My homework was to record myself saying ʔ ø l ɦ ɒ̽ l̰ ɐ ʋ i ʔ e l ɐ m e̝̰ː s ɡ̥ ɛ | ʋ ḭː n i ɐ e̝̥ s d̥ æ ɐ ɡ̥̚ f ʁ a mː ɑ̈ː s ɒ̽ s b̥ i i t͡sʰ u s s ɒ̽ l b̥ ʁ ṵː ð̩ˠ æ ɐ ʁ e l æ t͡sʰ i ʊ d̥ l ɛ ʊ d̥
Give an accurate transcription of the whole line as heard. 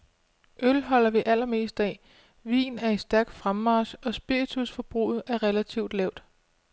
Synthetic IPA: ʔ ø l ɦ ɒ̽ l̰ ɐ ʋ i ʔ æ l ɐ m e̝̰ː s d̥ ɛ | ʋ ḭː n æ ɐ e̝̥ s d̥ æ ɐ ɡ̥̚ f ʁ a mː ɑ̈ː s ɒ̽ s b̥ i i t͡sʰ u s f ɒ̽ b̥ ʁ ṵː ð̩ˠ æ ɐ ʁ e l æ t͡sʰ i ʊ d̥ l ɛ ʊ d̥